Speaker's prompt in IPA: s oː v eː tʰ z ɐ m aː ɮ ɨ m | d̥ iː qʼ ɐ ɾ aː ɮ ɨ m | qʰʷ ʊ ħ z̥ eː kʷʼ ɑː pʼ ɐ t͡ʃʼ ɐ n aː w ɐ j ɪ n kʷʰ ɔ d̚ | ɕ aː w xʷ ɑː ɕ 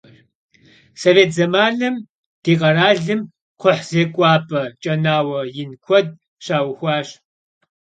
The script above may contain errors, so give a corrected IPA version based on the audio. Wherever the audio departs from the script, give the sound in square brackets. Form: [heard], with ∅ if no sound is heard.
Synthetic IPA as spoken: s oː v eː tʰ z ɐ m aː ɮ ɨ m | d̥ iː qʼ ɐ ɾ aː ɮ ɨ m | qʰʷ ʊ ħ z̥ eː kʷʼ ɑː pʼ ɐ t͡ʃʼ ɐ n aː w ɐ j ɪ n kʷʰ ɔ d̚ | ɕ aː w xʷ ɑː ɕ